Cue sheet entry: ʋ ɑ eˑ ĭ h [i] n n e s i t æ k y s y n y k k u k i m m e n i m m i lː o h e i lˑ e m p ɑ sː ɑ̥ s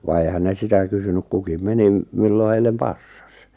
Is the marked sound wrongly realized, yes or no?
yes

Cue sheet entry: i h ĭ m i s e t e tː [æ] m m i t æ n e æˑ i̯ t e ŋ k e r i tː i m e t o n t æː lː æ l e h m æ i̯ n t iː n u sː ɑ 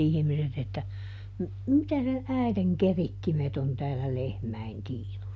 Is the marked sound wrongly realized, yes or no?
no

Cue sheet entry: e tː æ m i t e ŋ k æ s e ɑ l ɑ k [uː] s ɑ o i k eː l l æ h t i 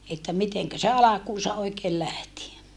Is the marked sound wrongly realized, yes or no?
no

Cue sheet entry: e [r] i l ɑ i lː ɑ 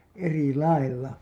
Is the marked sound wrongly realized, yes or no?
no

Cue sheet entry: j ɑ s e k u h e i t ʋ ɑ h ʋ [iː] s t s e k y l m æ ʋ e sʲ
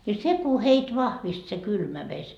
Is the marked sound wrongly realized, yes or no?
yes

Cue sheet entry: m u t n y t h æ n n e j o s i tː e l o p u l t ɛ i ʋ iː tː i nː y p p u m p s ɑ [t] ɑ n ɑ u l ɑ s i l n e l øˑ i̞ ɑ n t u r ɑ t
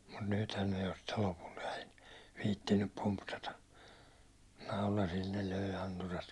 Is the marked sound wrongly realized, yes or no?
no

